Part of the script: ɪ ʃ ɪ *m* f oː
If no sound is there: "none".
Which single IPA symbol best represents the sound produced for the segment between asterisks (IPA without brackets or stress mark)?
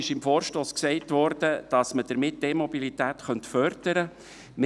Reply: m